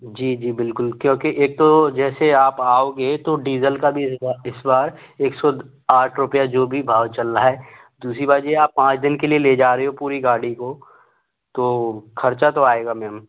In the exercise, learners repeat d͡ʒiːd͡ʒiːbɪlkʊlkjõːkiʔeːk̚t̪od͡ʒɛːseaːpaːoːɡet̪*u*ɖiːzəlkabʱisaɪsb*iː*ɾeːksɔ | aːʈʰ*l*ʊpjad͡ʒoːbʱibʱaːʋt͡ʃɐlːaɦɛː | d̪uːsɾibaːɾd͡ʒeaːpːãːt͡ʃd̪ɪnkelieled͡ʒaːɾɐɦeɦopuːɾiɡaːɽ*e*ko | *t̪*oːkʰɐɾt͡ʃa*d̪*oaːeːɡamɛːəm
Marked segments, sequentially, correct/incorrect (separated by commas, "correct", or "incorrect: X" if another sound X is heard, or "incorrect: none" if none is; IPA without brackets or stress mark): incorrect: o, incorrect: aː, incorrect: ɾ, incorrect: i, correct, incorrect: t̪